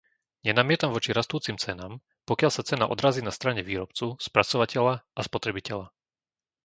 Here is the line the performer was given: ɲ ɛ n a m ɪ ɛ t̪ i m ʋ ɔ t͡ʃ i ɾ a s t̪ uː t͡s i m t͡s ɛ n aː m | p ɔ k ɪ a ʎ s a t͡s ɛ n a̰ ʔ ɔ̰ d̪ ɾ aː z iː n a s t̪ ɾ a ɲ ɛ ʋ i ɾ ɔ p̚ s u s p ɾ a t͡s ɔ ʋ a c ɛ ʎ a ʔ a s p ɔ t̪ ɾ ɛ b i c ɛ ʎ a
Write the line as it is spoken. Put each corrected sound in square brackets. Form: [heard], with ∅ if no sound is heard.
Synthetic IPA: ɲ ɛ n a m ɪ ɛ t̪ [a] m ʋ ɔ t͡ʃ i ɾ a s t̪ uː t͡s i m t͡s ɛ n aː m | p ɔ k ɪ a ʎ s a t͡s ɛ n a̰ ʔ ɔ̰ d̪ ɾ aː z iː n a s t̪ ɾ a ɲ ɛ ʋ [iː] ɾ ɔ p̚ [t͡s] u s p ɾ a t͡s ɔ ʋ a c ɛ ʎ a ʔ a s p ɔ t̪ ɾ ɛ b i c ɛ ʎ a